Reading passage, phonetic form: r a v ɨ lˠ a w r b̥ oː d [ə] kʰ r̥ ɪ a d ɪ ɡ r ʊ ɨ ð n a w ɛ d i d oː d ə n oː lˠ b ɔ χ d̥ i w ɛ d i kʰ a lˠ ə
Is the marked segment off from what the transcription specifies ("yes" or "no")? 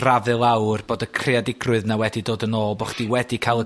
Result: no